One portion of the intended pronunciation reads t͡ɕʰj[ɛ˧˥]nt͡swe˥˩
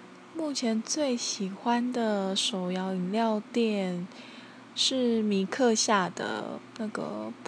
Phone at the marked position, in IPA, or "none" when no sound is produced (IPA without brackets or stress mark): ɛ˧˥